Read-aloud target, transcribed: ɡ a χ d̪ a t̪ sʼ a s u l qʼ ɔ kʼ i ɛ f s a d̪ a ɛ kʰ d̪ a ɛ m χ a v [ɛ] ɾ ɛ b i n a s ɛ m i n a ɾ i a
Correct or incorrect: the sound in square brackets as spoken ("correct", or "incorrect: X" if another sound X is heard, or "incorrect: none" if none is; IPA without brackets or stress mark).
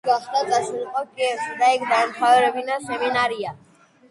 correct